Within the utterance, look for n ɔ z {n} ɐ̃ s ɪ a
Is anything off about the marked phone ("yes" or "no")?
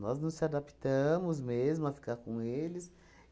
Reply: no